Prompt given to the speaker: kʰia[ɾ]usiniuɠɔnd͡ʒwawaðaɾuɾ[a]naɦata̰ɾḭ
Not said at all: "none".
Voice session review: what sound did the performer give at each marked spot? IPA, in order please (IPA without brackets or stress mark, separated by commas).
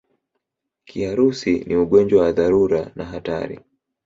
ɾ, a